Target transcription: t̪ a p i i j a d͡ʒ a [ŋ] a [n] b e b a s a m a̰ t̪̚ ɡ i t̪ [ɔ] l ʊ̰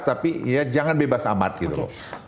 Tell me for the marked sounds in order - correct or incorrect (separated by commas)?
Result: correct, correct, incorrect